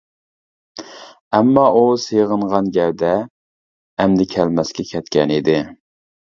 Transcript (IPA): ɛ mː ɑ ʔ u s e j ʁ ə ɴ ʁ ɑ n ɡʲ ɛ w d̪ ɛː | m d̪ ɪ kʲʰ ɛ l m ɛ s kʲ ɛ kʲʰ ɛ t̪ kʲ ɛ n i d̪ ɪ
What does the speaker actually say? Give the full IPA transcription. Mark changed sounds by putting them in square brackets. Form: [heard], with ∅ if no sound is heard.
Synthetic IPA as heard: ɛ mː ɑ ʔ u s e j ʁ ə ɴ ʁ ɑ n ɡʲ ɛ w d̪ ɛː | m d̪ ɪ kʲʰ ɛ l m ɛ s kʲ ɛ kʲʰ ɛ t̪ kʲ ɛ n i d̪ ɪ